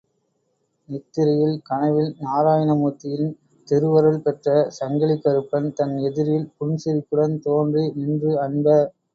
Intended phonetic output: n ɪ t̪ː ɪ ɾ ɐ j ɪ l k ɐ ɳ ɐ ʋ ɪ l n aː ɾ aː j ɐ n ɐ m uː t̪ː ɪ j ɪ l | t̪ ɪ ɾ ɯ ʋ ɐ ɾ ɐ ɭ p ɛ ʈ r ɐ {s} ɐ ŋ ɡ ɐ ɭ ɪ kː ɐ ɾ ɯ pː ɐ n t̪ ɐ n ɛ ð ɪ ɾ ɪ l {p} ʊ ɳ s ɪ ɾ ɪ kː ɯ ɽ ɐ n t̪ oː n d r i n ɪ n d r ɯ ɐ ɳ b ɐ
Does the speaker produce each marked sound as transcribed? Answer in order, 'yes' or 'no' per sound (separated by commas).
yes, yes